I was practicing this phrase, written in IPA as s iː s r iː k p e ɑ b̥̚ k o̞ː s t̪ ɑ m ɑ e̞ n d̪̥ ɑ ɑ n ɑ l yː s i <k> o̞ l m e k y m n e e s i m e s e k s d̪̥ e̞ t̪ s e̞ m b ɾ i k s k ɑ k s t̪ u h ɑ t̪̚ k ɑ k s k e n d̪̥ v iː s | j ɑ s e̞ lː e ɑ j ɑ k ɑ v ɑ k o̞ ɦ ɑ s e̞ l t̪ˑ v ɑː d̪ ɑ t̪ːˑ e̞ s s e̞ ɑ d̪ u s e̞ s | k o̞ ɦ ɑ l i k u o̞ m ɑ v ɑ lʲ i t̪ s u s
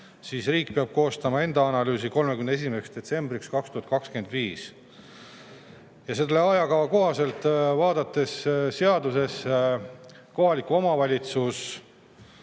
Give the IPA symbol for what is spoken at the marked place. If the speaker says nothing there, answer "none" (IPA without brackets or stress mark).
k